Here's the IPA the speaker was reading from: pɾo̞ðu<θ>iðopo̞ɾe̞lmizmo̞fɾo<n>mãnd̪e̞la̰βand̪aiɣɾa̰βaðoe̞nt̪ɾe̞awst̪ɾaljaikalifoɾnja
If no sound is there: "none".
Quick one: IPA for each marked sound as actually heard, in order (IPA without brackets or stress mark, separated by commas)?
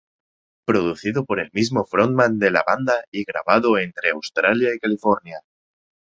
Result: θ, n